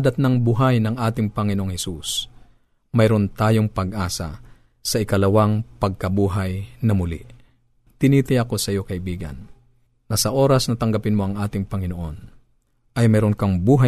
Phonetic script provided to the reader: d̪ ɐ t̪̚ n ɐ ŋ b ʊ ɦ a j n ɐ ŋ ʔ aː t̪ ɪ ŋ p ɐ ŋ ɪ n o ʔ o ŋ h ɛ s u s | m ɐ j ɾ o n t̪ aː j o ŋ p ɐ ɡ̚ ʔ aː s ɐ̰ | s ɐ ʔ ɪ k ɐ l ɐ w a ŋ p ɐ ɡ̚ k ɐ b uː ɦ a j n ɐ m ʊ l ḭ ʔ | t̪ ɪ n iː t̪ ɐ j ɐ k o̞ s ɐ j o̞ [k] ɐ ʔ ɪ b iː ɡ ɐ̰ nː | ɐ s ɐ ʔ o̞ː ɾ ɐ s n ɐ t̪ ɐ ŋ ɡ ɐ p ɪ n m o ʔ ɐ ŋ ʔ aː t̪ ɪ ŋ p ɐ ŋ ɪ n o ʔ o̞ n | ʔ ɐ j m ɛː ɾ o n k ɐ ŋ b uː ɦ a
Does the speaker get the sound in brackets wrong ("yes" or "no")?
no